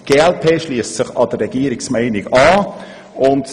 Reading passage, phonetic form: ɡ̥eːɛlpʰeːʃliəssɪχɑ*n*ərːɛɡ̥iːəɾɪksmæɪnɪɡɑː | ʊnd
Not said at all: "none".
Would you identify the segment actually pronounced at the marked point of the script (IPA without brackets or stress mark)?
d